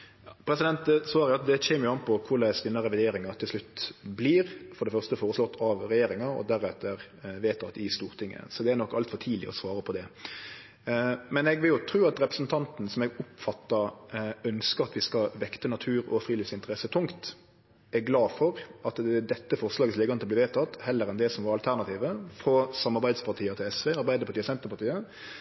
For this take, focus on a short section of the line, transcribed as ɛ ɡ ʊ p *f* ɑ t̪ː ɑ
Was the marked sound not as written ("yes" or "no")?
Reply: no